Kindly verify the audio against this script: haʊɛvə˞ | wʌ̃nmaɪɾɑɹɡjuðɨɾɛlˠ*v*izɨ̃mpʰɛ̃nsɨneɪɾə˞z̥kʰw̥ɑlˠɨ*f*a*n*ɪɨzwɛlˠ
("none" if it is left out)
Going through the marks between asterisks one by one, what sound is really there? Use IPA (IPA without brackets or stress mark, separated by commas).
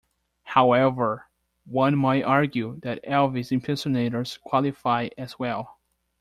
v, f, none